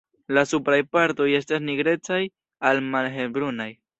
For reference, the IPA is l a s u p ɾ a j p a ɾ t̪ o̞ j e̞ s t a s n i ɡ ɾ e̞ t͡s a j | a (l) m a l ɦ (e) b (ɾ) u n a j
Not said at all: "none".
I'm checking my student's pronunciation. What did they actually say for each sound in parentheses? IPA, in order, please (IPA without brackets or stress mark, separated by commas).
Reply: l, e, ɾ